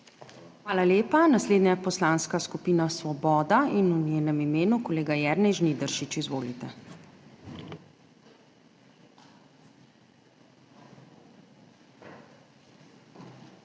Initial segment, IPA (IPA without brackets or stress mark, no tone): x